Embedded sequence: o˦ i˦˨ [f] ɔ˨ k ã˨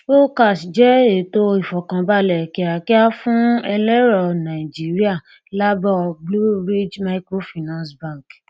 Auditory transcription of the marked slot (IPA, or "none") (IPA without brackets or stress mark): f